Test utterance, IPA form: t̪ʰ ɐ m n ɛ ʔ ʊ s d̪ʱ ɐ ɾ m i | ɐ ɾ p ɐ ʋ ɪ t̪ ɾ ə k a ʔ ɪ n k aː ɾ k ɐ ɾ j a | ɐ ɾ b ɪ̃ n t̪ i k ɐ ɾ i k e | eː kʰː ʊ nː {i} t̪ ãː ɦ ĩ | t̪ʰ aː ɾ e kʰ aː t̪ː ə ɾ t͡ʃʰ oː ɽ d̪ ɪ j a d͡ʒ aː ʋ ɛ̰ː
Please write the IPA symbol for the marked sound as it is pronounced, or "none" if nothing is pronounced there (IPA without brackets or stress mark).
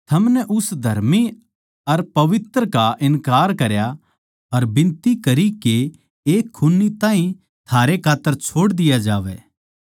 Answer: i